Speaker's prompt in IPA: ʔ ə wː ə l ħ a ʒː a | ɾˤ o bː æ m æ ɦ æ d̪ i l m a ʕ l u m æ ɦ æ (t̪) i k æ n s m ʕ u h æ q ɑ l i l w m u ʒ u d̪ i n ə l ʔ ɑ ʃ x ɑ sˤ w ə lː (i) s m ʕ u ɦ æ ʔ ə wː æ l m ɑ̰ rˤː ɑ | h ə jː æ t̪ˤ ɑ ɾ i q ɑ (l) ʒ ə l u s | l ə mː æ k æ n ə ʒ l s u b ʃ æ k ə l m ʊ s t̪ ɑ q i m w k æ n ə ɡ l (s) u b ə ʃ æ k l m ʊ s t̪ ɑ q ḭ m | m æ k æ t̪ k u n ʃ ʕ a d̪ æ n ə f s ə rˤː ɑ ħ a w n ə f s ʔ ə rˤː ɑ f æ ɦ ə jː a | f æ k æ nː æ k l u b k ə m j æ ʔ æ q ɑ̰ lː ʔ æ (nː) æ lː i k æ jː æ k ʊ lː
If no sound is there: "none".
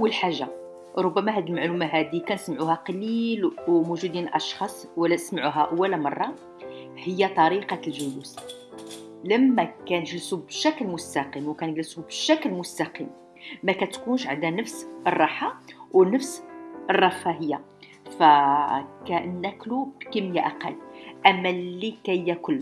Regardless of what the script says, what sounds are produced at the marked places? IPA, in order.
d̪, æ, l, s, mː

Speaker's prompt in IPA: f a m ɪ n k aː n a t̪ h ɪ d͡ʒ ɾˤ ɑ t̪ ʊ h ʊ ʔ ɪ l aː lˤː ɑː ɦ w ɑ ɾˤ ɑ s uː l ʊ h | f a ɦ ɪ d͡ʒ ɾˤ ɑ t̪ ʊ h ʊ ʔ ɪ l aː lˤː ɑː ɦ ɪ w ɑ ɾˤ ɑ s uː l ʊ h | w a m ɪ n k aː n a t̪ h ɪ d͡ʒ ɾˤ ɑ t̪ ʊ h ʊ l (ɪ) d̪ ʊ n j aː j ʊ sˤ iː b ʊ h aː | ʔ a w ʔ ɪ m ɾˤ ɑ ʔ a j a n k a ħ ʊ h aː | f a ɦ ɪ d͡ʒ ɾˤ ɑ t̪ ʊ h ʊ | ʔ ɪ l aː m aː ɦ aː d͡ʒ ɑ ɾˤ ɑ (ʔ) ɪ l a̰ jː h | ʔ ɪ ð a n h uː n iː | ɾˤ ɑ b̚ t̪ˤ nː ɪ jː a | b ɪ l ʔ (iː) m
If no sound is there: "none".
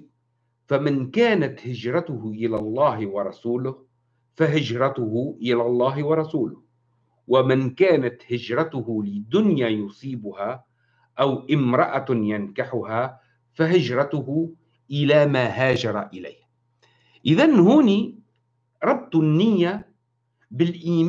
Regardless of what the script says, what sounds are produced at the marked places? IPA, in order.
ɪ, ʔ, iː

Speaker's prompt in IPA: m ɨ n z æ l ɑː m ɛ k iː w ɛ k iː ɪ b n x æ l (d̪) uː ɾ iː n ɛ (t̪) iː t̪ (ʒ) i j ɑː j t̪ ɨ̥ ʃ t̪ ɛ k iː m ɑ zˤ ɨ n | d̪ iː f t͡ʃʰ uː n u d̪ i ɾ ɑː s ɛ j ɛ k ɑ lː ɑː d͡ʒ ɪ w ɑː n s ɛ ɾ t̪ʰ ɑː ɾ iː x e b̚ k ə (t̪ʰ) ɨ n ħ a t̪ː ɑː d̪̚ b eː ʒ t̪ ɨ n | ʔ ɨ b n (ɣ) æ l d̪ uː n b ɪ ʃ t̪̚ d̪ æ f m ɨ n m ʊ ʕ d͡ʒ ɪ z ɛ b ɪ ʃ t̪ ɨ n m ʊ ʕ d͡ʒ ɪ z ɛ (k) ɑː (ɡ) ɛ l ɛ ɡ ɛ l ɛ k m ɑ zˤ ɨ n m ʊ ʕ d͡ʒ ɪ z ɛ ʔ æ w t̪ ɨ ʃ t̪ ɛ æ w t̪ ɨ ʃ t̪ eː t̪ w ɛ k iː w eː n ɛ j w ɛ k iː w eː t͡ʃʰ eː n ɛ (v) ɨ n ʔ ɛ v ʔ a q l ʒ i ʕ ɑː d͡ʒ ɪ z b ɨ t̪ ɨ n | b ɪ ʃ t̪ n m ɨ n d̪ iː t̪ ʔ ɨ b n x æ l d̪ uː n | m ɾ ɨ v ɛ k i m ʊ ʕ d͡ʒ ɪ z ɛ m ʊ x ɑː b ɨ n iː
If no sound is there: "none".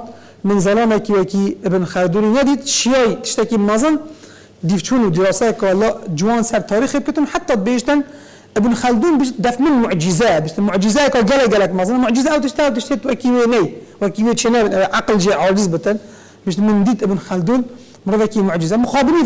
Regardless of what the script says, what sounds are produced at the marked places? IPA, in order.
d̪, d̪, ʃ, t̪, x, k, ɡ, b

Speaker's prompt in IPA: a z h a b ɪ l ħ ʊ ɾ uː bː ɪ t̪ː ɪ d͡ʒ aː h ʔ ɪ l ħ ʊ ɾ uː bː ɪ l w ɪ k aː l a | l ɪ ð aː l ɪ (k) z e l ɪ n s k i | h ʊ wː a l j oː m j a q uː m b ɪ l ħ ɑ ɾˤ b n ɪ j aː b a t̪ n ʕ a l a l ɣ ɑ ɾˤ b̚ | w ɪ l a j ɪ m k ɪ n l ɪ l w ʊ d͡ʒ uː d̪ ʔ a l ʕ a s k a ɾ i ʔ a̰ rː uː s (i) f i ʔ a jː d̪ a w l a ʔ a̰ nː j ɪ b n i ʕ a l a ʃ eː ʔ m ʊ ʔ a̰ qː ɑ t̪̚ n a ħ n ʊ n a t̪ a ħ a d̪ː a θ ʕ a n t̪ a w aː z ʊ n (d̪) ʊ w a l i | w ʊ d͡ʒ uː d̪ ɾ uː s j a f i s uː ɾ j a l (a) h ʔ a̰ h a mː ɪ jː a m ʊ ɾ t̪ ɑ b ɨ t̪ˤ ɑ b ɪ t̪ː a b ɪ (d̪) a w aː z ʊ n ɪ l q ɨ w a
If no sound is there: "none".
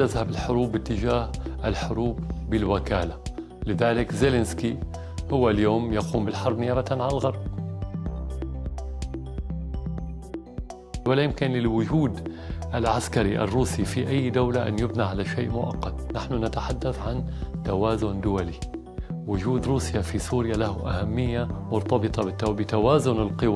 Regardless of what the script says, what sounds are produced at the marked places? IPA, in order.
k, i, d̪, a, t̪

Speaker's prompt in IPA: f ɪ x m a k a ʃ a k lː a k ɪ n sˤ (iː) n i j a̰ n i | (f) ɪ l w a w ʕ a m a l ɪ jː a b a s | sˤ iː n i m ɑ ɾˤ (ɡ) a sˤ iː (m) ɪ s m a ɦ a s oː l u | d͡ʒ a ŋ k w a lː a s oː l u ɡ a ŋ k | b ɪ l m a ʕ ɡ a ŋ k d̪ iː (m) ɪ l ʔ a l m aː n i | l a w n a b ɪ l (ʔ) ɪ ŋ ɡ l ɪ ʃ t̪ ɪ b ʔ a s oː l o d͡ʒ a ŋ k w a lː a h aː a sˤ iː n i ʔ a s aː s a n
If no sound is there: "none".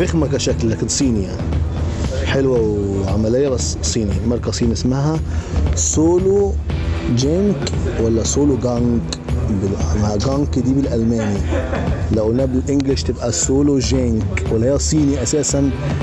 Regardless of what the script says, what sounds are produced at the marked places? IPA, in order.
iː, ħ, k, n, b, ʔ

